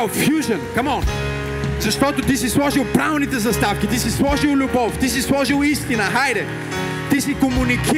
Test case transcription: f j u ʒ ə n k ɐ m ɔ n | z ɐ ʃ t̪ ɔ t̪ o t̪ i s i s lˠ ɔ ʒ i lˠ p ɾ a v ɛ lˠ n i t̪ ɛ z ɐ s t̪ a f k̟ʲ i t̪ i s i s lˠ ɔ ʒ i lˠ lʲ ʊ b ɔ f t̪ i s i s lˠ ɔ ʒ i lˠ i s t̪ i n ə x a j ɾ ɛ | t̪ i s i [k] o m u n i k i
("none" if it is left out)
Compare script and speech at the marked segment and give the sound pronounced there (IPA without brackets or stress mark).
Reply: k